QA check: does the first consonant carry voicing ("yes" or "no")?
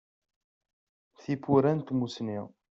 no